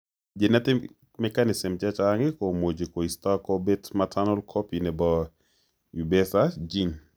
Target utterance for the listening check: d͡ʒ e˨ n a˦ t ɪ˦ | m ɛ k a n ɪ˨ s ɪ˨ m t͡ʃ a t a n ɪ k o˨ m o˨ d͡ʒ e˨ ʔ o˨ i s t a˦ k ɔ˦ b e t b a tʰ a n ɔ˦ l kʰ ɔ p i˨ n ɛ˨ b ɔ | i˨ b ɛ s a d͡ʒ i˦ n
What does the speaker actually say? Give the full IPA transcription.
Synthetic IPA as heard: d͡ʒ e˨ n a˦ t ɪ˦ | m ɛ k a n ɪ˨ s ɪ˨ m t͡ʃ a t͡ʃ a ŋ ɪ k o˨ m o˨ d͡ʒ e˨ k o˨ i s t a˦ k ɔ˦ b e t m a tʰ a n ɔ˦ l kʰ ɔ p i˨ n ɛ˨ b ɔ | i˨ b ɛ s a d͡ʒ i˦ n